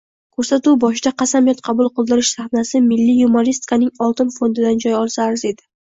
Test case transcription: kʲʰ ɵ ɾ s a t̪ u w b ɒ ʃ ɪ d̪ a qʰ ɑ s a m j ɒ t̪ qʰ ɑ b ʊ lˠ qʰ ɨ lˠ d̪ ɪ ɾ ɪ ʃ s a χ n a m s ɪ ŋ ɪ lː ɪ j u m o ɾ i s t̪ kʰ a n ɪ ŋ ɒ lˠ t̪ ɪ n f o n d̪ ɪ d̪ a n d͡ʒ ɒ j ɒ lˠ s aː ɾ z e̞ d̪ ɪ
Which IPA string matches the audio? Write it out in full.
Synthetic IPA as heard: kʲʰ ɵ ɾ s a t̪ u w b ɒ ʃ ɪ d̪ a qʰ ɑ s a m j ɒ t̪ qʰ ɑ b ʊ lˠ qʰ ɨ lˠ d̪ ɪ ɾ ɪ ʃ s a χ n a s ɪ m ɪ lː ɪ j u m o ɾ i s t̪ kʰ a n ɪ ŋ ɒ lˠ t̪ ɪ n f o n d̪ ɪ d̪ a n d͡ʒ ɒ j ɒ lˠ s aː ɾ z e̞ d̪ ɪ